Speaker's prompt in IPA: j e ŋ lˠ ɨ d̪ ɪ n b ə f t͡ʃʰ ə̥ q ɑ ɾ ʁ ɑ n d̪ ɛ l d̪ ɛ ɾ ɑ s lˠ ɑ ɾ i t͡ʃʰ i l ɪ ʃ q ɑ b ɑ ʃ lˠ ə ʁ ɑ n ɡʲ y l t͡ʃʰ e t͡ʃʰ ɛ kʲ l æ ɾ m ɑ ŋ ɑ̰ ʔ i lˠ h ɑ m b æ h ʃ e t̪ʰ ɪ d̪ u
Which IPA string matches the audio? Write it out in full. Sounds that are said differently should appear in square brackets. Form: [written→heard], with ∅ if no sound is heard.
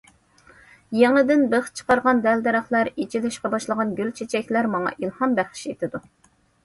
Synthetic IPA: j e ŋ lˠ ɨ d̪ ɪ n b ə [f→χ] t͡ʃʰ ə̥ q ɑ ɾ ʁ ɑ n d̪ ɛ l d̪ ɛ ɾ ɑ [s→χ] lˠ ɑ ɾ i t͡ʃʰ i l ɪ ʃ q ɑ b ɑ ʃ lˠ ə ʁ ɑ n ɡʲ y l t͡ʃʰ e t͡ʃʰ ɛ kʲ l æ ɾ m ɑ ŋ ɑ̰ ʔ i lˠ h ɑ m b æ [h→χ] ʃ e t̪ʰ ɪ d̪ u